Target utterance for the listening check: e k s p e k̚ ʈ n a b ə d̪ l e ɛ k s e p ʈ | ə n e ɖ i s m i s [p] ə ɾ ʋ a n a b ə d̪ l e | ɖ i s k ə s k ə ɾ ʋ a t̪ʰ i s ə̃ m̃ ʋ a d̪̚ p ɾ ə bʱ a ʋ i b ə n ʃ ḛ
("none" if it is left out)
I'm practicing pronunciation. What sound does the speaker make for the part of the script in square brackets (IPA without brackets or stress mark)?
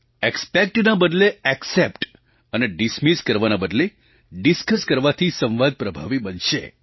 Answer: k